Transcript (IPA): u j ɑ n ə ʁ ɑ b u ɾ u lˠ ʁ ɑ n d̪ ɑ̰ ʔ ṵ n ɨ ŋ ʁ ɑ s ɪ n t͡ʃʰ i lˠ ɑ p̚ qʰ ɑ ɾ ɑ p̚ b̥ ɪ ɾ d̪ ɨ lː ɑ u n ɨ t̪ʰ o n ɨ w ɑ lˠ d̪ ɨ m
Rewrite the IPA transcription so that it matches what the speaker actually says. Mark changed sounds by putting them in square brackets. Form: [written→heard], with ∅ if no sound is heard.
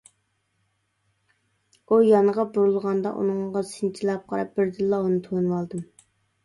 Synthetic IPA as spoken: u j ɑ n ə ʁ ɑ b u ɾ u lˠ ʁ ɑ n d̪ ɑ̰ ʔ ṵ n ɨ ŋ ʁ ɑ s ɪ n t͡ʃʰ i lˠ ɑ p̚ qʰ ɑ ɾ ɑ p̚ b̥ ɪ ɾ d̪ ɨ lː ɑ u n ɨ t̪ʰ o n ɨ w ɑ lˠ d̪ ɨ m